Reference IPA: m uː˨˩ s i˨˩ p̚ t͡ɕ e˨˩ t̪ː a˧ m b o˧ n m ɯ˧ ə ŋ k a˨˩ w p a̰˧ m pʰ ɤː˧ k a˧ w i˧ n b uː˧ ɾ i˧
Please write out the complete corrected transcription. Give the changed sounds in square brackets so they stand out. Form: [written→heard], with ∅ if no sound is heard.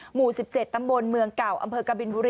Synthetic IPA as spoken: m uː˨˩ s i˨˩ p̚ t͡ɕ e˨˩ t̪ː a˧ m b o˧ n m ɯ˧ ə ŋ k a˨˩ w [p→ʔ] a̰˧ m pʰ ɤː˧ k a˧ [w→b] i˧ n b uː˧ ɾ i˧